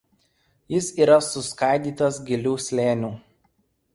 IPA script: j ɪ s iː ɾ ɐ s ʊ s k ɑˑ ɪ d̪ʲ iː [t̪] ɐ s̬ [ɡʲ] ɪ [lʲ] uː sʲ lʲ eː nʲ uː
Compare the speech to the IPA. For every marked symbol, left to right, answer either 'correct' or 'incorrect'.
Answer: correct, correct, correct

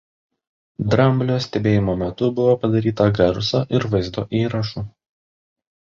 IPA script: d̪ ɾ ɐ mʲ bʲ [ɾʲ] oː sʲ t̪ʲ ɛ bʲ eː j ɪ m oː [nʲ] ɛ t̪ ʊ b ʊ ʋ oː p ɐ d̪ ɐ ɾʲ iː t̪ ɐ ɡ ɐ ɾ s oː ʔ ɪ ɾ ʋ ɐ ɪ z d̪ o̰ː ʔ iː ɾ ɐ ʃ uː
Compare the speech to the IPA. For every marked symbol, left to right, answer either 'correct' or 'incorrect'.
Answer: incorrect, incorrect

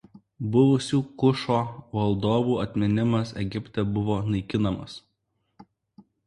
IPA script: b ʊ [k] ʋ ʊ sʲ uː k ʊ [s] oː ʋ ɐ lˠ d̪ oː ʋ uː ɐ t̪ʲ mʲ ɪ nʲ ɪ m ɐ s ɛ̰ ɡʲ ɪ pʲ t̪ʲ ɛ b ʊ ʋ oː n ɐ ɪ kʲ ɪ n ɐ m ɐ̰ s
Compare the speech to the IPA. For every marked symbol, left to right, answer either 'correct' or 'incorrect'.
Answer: incorrect, incorrect

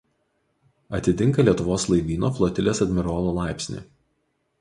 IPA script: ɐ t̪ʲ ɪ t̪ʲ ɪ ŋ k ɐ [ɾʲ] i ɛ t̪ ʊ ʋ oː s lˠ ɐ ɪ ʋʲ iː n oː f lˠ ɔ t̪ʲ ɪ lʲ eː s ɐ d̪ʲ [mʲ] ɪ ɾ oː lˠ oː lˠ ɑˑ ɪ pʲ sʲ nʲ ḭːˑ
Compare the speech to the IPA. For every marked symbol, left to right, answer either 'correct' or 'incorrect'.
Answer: incorrect, correct

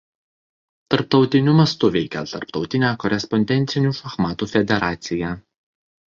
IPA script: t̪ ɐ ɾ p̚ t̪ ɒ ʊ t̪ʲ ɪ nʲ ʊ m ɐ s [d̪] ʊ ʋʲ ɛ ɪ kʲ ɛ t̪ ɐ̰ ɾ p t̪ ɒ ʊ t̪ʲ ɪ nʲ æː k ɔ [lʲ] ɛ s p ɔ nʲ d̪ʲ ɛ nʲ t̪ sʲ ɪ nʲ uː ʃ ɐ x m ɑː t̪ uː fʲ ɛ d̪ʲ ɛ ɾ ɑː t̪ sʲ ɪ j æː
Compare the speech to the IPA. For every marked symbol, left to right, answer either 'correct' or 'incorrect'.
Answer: incorrect, incorrect

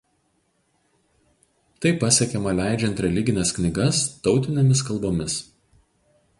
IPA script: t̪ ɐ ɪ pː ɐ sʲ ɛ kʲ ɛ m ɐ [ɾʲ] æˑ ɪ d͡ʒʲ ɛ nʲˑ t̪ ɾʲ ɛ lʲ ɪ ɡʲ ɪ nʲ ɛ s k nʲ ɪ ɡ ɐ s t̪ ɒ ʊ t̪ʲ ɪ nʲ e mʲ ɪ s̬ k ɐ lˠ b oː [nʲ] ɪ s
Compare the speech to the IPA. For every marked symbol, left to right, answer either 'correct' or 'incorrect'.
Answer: incorrect, incorrect

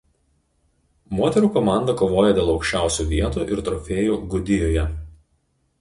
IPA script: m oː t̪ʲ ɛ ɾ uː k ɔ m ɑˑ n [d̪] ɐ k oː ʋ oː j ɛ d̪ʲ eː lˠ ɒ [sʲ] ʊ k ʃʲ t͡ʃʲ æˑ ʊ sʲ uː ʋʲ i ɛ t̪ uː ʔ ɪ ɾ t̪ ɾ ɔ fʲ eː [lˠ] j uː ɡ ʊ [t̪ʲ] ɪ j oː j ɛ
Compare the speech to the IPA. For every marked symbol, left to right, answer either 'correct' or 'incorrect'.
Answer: correct, incorrect, incorrect, incorrect

